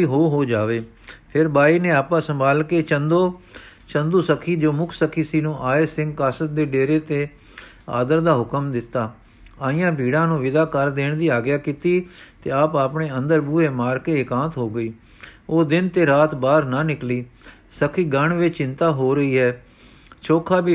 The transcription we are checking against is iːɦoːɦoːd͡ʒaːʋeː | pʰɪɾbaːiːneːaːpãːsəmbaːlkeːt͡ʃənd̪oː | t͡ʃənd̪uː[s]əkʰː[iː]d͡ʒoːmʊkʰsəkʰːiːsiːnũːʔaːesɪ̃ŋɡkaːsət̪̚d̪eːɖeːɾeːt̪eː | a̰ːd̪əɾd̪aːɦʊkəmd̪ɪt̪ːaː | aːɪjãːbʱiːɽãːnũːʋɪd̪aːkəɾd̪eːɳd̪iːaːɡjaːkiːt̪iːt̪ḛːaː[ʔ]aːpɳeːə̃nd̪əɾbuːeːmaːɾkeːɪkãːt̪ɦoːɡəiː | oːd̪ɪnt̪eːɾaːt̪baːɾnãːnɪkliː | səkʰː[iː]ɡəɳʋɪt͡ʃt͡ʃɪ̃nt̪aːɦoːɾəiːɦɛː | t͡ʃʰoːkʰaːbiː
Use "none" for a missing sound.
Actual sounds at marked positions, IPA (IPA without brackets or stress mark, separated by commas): s, iː, p, iː